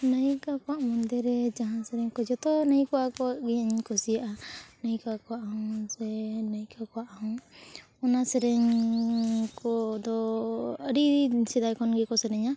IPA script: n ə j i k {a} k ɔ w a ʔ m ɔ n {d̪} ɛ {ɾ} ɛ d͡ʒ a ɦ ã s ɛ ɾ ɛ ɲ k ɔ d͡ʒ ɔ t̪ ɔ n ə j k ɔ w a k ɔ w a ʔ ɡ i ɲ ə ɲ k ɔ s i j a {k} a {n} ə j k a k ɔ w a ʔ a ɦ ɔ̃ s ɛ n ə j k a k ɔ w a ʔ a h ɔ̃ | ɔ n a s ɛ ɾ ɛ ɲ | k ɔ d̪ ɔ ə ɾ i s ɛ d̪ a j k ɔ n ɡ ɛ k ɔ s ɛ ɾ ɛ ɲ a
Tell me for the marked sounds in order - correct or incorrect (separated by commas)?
correct, correct, correct, incorrect, correct